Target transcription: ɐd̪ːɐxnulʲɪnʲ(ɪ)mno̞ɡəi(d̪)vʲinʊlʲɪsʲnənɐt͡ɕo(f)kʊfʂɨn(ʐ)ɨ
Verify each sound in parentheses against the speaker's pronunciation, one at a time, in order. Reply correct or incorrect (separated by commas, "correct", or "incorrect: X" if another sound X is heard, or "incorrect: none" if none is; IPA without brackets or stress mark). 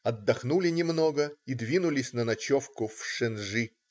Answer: correct, correct, correct, correct